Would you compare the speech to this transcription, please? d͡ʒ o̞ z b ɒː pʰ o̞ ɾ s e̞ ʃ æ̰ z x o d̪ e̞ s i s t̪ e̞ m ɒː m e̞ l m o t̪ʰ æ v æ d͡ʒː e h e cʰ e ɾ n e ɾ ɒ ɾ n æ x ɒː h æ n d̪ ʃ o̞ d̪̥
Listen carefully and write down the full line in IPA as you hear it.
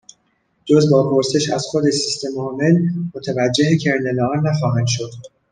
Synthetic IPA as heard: d͡ʒ o̞ z b ɒː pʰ o̞ ɾ s e̞ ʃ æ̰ z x o d̪ e̞ s i s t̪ e̞ m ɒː m e̞ l m o t̪ʰ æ v æ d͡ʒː e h e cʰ e ɾ n e l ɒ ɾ n æ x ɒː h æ n d̪ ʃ o̞ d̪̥